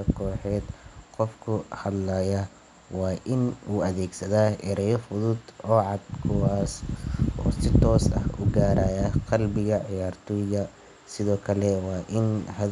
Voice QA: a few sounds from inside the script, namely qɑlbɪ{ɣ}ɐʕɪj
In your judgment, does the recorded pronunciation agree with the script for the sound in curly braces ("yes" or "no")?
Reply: yes